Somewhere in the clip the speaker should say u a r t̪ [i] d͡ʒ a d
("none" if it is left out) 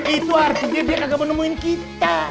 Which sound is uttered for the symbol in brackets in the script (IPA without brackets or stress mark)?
i